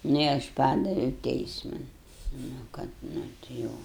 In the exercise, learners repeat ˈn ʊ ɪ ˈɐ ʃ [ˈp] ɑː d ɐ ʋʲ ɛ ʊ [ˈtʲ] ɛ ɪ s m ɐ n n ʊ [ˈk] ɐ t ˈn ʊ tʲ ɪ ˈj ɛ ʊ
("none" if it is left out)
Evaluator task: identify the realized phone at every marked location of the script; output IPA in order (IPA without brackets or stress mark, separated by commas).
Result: p, tʲ, k